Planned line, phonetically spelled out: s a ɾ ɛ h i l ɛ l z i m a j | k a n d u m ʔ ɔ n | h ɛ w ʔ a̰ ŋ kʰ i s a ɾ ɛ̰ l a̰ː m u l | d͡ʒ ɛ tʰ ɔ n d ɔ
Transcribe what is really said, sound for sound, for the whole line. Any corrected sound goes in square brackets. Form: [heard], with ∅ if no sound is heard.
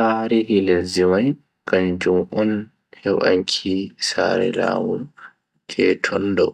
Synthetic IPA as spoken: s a ɾ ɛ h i l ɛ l z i m a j | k a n [d͡ʒ] u m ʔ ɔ n | h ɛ w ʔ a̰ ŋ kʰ i s a ɾ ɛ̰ l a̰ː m u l | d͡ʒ ɛ tʰ ɔ n d ɔ